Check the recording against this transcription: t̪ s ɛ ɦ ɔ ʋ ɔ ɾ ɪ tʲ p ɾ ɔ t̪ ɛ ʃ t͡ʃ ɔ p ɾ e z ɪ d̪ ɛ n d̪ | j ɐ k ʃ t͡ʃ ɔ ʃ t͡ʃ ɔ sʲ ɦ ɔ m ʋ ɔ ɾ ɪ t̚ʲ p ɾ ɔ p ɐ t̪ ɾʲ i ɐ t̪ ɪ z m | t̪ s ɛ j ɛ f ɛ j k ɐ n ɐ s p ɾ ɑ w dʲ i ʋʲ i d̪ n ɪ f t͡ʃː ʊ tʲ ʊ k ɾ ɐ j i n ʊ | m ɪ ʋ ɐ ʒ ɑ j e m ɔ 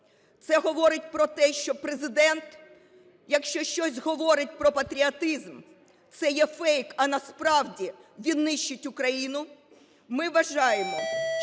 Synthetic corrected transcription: t̪ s ɛ ɦ ɔ ʋ ɔ ɾ ɪ tʲ p ɾ ɔ t̪ ɛ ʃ t͡ʃ ɔ p ɾ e z ɪ d̪ ɛ n t̪ | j ɐ k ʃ t͡ʃ ɔ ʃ t͡ʃ ɔ sʲ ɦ ɔ ʋ ɔ ɾ ɪ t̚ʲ p ɾ ɔ p ɐ t̪ ɾʲ i ɐ t̪ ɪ z m | t̪ s ɛ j ɛ f ɛ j k ɐ n ɐ s p ɾ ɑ w dʲ i ʋʲ i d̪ n ɪ ʃ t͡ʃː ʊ tʲ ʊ k ɾ ɐ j i n ʊ | m ɪ ʋ ɐ ʒ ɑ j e m ɔ